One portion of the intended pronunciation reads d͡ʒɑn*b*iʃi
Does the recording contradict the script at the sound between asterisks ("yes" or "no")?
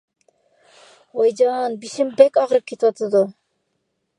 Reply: no